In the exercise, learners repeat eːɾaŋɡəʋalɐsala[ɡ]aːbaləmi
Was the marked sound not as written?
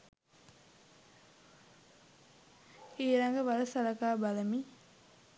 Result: yes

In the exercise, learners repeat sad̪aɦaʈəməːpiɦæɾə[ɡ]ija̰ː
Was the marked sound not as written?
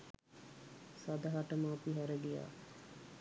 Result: no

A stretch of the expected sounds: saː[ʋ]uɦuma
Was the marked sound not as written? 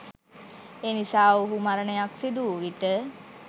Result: yes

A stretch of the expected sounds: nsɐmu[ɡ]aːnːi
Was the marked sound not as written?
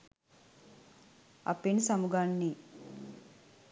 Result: no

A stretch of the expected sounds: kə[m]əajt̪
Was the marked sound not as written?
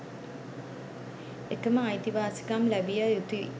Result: no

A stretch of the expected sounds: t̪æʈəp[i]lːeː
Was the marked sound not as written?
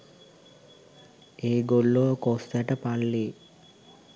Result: yes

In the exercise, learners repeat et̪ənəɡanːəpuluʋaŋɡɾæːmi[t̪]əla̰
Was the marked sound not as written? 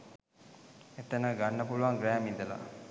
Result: yes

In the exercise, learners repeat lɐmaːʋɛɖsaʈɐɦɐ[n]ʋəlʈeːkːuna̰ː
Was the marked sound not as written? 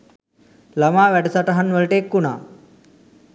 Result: no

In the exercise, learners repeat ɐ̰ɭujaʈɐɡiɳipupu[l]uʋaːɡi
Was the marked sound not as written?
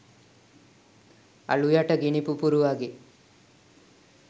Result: yes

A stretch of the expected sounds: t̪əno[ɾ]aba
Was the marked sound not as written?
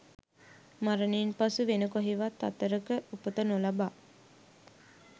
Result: yes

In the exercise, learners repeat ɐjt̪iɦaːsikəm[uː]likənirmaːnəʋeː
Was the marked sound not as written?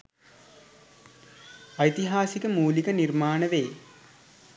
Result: no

